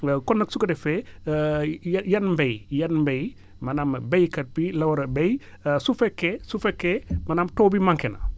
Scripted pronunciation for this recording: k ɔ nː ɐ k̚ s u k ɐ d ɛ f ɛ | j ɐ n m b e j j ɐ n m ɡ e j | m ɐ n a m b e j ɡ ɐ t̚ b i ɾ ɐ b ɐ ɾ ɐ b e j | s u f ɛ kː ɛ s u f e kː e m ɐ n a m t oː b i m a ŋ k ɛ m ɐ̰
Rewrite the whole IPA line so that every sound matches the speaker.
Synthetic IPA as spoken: k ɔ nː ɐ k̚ s u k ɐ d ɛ f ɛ | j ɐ n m b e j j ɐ n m b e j | m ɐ n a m b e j k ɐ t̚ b i l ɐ w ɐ ɾ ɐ b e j | s u f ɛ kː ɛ s u f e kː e m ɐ n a m t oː b i m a ŋ k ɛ n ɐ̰